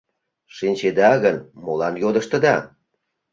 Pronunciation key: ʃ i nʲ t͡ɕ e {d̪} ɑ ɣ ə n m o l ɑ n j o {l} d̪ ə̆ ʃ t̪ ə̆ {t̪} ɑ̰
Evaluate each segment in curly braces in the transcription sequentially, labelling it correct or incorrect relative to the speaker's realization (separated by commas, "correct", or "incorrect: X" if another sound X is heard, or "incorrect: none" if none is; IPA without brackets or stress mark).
correct, incorrect: none, incorrect: d̪